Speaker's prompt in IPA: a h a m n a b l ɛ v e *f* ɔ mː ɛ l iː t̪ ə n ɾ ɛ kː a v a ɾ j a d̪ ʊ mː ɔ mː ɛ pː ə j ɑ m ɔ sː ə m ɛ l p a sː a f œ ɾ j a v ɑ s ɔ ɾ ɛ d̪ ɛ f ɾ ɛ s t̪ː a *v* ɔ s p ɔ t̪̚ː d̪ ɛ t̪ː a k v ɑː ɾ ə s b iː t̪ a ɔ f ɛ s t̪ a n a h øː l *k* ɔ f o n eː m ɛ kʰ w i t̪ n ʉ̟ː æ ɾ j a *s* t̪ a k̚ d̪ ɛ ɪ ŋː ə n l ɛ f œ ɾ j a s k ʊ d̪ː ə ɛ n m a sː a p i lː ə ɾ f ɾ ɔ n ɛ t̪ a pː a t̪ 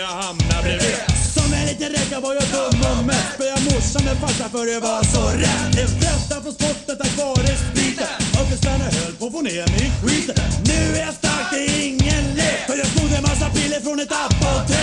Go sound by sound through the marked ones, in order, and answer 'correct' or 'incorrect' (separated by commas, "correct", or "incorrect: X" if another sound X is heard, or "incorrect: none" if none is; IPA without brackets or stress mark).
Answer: incorrect: s, incorrect: f, incorrect: p, correct